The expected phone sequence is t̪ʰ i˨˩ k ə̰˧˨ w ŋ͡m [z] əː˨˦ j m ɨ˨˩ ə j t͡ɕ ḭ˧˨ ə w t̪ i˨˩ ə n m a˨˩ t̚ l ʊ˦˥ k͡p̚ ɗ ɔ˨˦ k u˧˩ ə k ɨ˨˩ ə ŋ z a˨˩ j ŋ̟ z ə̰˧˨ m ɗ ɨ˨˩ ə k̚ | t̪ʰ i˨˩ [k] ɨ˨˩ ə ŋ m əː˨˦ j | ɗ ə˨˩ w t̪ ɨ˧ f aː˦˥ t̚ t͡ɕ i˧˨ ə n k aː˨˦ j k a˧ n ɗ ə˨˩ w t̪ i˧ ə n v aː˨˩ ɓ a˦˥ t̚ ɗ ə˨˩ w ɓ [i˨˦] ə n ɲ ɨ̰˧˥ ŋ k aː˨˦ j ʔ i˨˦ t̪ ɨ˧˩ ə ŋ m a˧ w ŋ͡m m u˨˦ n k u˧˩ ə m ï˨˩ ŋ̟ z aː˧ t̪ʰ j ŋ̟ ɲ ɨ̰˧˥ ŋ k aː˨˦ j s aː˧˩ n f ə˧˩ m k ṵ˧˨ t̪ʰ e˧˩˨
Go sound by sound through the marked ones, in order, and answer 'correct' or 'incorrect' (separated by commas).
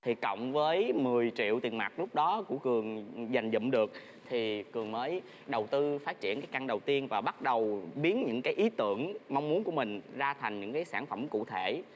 incorrect, correct, correct